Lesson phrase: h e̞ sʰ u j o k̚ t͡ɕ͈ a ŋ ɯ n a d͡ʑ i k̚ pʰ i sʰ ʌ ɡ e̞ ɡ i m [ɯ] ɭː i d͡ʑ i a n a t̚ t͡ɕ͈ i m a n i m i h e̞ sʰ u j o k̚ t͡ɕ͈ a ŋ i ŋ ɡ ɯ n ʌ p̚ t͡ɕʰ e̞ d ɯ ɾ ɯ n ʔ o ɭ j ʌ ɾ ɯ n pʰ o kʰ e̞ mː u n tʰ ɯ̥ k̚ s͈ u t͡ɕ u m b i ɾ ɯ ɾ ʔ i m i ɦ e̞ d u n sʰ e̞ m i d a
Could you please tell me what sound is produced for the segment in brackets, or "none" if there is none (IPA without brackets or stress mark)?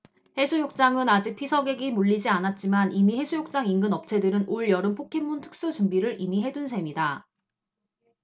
u